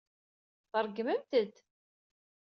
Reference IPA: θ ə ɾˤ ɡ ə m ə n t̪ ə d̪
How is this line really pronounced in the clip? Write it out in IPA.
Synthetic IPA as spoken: θ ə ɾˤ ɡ ə m ə m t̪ ə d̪